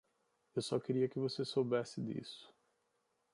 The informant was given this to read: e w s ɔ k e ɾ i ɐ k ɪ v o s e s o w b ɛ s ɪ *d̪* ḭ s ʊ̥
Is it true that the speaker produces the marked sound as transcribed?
yes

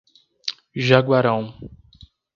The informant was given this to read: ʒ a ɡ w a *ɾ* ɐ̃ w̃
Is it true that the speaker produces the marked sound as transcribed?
yes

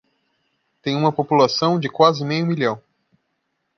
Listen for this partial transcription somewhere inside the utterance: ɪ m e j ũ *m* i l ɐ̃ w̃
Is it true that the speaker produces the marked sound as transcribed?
yes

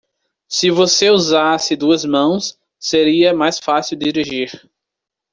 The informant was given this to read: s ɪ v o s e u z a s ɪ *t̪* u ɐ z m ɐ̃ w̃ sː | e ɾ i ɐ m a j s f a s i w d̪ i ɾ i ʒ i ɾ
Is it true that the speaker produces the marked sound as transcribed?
no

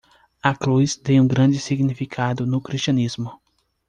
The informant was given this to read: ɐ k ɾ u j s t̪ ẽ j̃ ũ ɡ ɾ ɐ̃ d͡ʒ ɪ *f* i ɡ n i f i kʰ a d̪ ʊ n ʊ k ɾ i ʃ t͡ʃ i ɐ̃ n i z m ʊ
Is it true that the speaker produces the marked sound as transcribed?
no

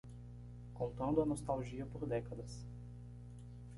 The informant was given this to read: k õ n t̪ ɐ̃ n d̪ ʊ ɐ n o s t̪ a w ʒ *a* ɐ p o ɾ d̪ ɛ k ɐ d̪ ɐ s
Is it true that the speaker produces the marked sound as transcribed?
no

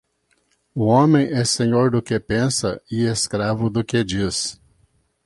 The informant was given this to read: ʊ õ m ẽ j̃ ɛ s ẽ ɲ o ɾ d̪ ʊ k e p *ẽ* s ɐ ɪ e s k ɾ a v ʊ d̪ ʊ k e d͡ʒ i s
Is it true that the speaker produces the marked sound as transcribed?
yes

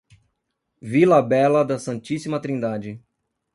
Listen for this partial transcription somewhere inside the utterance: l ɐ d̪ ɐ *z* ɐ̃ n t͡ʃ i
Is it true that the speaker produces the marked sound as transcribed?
no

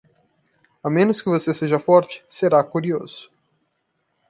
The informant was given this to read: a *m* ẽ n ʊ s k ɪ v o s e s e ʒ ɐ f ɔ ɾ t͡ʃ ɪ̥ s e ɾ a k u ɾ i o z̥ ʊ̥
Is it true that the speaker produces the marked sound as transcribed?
yes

